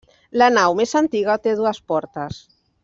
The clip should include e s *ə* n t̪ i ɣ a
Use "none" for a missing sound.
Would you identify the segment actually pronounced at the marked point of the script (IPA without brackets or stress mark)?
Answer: a